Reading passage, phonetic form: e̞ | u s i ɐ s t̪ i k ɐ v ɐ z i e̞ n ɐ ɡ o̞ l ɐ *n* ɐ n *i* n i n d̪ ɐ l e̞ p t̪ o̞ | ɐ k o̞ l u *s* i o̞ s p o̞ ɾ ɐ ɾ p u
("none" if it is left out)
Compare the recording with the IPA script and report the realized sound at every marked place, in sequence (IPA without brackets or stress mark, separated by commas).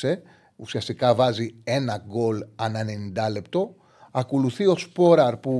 n, e, θ